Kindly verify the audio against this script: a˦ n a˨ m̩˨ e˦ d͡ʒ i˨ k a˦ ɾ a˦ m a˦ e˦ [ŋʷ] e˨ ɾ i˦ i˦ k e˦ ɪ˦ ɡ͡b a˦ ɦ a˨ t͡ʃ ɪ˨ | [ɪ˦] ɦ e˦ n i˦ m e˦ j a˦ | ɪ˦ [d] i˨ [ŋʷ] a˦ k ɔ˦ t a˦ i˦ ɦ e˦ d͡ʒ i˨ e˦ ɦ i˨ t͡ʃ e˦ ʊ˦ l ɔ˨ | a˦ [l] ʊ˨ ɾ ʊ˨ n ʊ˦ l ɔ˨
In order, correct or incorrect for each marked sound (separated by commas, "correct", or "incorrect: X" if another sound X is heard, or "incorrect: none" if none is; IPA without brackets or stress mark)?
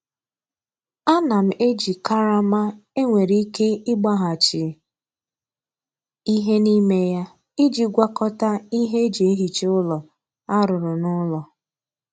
correct, incorrect: i˦, incorrect: d͡ʒ, incorrect: ɡʷ, incorrect: ɾ